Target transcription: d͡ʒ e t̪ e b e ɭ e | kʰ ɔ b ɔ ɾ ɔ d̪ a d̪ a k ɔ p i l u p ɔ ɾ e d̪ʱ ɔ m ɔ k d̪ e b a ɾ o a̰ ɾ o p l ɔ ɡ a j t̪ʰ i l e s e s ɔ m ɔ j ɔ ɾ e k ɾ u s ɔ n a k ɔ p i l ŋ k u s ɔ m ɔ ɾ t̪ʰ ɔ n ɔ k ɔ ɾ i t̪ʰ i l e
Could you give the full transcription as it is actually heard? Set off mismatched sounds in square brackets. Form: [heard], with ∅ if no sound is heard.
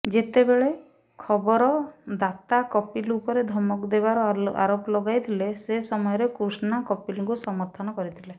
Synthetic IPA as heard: d͡ʒ e t̪ e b e ɭ e | kʰ ɔ b ɔ ɾ ɔ d̪ a [t̪] a k ɔ p i l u p ɔ ɾ e d̪ʱ ɔ m ɔ k d̪ e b a ɾ [ɔ] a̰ ɾ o p l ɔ ɡ a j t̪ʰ i l e s e s ɔ m ɔ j ɔ ɾ e k ɾ u s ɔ n a k ɔ p i l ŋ k u s ɔ m ɔ ɾ t̪ʰ ɔ n ɔ k ɔ ɾ i t̪ʰ i l e